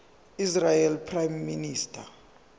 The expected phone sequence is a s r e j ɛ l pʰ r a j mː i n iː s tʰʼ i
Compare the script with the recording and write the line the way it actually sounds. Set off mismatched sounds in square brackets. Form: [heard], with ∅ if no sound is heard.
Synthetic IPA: [i] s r [a] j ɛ l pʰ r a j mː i n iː s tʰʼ [a]